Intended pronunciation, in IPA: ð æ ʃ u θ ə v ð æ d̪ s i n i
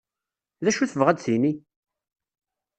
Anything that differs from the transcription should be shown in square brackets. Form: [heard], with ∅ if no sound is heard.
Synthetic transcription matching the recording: ð æ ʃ u θ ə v [ʁ] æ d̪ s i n i